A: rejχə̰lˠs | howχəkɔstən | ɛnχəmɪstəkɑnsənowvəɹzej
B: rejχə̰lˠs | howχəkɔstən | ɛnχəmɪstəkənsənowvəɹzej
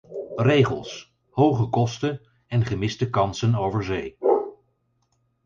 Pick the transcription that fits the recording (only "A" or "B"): A